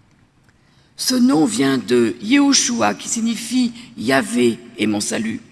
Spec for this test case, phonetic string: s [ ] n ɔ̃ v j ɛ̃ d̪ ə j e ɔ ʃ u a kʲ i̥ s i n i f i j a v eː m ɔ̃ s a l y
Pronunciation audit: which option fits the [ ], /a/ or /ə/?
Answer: ə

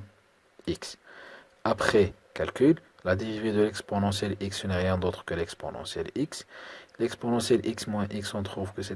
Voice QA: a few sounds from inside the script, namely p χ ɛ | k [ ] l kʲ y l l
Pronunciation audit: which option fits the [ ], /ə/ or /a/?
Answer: a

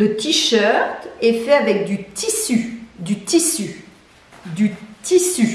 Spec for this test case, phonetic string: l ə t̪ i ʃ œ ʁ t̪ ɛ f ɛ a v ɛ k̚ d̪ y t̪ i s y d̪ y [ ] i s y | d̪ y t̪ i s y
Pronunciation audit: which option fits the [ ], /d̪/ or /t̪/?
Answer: t̪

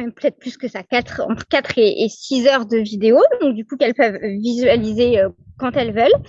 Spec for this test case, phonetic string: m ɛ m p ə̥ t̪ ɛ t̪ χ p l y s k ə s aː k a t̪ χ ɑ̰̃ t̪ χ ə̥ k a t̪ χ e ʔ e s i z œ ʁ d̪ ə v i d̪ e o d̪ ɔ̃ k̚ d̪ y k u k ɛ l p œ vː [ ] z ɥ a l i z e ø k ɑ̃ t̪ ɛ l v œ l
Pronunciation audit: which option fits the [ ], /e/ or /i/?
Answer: i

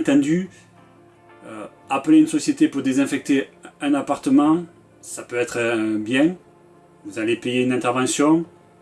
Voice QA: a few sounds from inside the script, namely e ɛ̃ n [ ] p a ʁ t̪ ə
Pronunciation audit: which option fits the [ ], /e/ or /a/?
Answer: a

